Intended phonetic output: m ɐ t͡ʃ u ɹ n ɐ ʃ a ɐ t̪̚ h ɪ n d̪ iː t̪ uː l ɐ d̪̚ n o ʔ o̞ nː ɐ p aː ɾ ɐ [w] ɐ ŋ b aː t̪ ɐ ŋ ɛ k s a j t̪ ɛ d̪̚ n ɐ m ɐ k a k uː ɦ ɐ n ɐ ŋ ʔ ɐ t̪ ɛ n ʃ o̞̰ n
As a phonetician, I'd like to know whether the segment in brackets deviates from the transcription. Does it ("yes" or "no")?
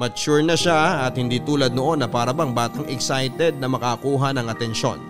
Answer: yes